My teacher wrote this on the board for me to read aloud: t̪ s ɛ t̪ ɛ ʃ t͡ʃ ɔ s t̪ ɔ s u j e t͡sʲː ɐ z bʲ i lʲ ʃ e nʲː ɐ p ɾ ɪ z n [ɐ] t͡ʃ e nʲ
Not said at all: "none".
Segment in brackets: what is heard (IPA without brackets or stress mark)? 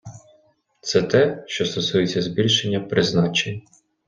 ɑ